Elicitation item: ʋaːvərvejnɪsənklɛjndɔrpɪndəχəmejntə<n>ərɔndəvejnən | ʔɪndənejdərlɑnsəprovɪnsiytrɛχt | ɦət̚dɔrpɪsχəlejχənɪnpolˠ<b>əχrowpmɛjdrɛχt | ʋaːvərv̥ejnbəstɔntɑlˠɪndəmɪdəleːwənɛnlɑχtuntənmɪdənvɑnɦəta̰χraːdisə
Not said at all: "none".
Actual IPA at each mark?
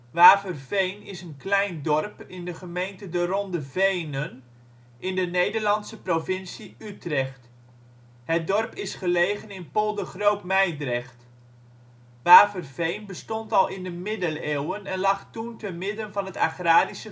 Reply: d, d

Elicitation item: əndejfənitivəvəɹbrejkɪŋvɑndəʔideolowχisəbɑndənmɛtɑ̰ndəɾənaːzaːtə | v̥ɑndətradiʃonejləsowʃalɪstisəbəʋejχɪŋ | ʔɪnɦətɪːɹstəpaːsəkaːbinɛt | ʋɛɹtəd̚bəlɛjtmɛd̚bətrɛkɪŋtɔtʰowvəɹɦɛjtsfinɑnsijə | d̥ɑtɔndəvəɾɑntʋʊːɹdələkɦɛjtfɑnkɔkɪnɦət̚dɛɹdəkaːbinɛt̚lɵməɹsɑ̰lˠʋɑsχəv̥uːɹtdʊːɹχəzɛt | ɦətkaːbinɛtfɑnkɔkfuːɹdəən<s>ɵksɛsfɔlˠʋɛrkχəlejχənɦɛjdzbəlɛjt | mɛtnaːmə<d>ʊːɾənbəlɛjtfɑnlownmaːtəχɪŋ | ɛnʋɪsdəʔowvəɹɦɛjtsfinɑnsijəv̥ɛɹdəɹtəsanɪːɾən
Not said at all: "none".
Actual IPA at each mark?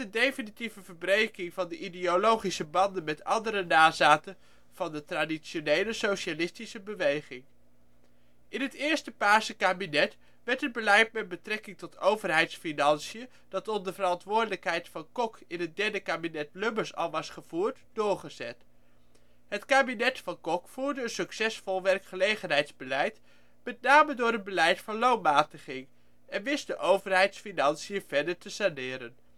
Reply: s, d

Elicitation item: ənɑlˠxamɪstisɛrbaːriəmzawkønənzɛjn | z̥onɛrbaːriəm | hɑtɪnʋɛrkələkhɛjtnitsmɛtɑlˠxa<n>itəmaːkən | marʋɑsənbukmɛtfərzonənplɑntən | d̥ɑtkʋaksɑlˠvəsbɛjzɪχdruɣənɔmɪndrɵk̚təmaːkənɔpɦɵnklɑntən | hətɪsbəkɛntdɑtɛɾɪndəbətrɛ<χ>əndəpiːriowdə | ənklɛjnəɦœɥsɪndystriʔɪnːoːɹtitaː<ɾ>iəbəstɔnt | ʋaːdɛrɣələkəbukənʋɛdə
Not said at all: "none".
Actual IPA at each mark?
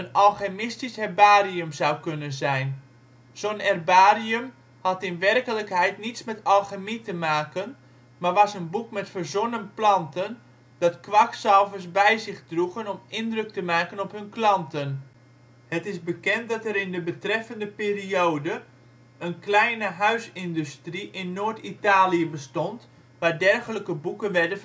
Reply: m, f, l

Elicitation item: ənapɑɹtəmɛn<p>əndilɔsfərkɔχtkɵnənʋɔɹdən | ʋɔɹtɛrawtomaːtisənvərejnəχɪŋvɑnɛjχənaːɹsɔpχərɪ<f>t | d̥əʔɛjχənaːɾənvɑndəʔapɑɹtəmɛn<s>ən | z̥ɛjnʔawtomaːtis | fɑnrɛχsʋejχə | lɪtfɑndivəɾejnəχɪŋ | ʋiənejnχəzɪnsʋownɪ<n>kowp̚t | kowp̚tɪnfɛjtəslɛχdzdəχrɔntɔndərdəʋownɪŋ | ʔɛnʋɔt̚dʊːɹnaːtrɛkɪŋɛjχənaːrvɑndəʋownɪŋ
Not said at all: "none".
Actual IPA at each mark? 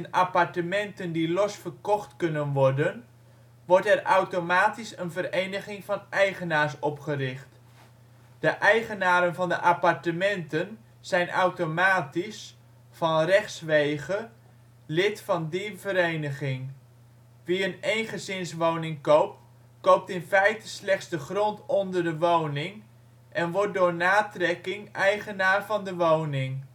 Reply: t, χ, t, ŋ

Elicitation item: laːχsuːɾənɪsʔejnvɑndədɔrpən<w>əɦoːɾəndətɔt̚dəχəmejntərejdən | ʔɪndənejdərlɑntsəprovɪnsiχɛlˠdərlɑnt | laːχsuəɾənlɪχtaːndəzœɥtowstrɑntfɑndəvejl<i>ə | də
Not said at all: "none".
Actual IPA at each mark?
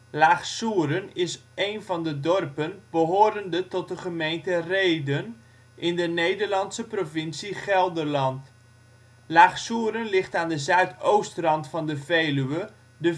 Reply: b, y

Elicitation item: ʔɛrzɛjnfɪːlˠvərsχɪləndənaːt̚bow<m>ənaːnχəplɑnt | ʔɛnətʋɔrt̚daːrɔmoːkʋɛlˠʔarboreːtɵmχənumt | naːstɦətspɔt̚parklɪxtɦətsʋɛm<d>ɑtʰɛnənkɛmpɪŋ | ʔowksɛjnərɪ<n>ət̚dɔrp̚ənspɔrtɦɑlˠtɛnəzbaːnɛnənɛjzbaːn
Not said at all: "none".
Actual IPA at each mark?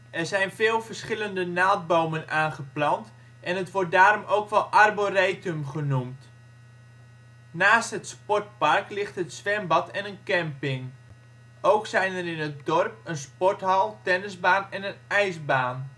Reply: m, b, n

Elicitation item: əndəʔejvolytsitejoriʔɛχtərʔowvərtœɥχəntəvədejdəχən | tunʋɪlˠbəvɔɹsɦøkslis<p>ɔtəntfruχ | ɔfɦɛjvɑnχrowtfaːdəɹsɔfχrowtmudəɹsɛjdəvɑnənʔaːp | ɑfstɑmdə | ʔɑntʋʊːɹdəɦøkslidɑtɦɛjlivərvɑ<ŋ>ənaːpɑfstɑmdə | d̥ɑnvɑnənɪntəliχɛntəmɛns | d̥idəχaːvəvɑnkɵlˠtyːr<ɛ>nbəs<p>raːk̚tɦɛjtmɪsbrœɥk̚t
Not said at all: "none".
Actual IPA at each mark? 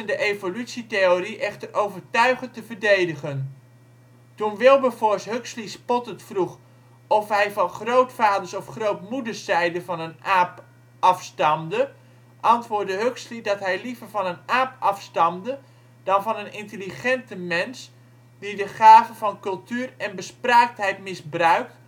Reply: p, n, ɛ, p

